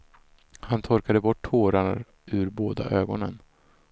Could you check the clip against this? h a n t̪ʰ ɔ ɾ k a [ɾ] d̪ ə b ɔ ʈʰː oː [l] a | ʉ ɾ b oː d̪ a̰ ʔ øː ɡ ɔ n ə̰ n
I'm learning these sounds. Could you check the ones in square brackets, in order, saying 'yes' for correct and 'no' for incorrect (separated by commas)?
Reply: no, no